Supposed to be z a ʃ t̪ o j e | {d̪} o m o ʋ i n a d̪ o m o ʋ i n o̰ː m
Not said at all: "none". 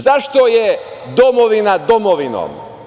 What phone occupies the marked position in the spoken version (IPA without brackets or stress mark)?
d̪